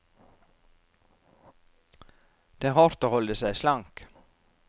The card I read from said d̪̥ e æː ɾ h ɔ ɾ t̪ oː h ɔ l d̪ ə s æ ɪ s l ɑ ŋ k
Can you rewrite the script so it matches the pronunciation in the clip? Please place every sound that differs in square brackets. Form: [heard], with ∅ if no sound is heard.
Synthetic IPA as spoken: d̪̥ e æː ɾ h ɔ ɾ t̪ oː h ɔ l d̪ ə s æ ɪ s l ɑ ŋ k